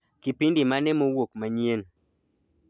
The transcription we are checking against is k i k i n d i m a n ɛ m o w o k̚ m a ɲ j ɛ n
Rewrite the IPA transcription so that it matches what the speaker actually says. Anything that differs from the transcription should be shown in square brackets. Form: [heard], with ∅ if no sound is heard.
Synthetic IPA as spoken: k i [p] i n d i m a n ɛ m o w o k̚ m a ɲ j [e] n

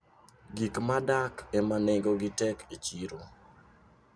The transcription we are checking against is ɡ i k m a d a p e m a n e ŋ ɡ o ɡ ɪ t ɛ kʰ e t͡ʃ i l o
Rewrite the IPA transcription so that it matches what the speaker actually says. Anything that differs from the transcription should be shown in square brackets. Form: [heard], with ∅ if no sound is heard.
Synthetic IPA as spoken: ɡ i k m a d a [k] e m a n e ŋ ɡ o ɡ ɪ t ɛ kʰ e t͡ʃ i [ɾ] o

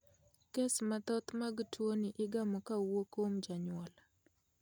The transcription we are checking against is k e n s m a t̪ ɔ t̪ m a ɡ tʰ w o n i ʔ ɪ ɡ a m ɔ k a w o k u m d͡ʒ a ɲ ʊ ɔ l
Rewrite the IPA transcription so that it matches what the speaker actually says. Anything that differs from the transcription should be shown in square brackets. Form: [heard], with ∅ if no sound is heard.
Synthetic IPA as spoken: k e [∅] s m a t̪ ɔ t̪ m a ɡ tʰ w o n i ʔ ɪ ɡ a m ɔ k a w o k [o] m d͡ʒ a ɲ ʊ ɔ l

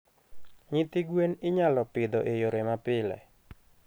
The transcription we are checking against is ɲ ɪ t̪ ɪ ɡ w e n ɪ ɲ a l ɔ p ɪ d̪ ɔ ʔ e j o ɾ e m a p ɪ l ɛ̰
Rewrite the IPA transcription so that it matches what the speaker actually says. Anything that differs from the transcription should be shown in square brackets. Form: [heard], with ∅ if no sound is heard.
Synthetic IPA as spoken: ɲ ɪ t̪ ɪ ɡ w e n ɪ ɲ a l ɔ p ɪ d̪ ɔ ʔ e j o ɾ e m a p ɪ l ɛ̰

